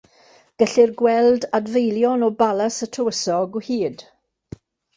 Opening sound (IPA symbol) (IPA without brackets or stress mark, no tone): ɡ̥